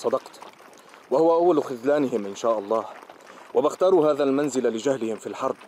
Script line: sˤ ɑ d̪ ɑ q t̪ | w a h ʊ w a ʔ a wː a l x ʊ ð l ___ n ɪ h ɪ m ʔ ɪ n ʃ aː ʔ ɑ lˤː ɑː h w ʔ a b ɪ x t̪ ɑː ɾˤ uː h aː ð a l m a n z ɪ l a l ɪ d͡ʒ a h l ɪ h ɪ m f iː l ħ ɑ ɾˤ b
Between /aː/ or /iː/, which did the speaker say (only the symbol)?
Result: aː